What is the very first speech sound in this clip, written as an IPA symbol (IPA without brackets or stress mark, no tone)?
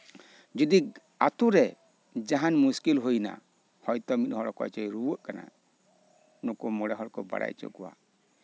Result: d͡ʒ